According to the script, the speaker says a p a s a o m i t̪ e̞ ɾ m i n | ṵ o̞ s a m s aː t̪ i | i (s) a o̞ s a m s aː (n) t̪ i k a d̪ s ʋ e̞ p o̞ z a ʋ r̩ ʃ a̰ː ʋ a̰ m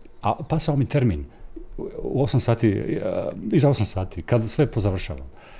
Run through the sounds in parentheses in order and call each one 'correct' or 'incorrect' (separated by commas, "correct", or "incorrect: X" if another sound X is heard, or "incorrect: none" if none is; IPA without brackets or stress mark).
incorrect: z, incorrect: none